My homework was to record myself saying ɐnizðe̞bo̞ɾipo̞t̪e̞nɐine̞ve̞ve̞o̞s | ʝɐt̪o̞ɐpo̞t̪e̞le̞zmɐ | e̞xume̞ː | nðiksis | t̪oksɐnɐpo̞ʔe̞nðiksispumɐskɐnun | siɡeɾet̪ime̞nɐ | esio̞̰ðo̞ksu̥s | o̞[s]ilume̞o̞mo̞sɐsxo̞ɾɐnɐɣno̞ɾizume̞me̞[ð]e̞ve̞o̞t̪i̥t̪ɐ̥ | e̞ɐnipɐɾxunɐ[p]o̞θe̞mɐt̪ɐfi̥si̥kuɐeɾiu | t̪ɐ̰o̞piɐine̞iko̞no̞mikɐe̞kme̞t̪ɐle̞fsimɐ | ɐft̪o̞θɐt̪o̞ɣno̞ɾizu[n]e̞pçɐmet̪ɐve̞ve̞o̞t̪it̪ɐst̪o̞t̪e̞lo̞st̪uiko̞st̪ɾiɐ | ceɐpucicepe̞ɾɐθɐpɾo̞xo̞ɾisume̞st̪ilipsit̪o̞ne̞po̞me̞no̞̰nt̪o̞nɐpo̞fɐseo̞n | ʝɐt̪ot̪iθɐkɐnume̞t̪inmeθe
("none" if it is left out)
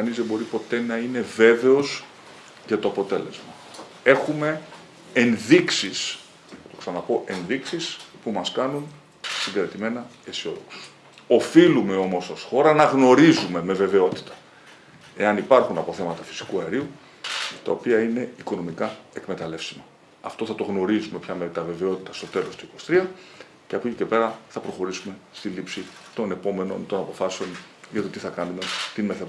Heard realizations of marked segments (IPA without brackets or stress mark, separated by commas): f, v, p, m